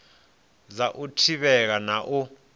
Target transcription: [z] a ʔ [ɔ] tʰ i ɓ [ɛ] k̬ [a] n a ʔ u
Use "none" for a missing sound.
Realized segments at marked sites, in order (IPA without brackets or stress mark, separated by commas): z, u, ɛ, a